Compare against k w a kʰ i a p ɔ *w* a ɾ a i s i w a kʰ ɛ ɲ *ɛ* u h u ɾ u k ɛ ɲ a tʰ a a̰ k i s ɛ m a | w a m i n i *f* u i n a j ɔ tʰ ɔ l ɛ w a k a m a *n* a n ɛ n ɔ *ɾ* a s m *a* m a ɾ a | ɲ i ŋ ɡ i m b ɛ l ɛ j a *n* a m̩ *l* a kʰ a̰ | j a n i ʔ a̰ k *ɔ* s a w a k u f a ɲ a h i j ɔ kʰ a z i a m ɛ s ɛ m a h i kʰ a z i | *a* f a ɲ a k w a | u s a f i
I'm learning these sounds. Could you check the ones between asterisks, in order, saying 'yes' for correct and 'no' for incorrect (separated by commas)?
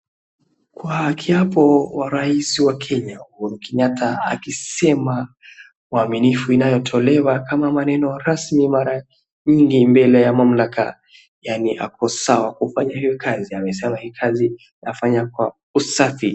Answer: yes, no, yes, no, yes, no, no, yes, yes, yes